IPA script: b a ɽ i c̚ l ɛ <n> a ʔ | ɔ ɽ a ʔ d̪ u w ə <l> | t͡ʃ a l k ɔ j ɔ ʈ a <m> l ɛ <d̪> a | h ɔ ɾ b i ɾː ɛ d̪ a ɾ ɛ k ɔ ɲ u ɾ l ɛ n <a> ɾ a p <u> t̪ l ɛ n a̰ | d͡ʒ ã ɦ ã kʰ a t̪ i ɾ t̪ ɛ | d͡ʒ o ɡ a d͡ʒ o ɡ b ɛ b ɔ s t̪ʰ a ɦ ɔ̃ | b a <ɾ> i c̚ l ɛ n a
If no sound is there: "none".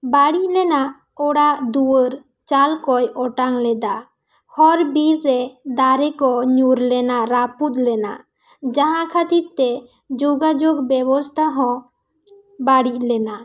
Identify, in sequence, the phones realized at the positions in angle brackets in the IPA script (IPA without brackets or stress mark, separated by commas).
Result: n, ɾ, ŋ, d̪, a, u, ɽ